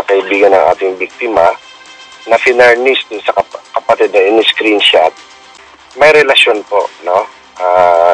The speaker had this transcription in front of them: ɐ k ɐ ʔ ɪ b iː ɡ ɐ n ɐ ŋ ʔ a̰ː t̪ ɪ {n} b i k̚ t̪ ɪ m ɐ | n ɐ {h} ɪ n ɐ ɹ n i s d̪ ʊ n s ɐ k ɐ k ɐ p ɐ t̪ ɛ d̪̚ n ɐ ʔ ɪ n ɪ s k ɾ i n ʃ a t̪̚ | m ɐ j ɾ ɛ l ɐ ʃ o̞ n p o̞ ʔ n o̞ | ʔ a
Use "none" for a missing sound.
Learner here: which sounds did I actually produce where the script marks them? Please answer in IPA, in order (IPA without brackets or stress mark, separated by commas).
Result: ŋ, f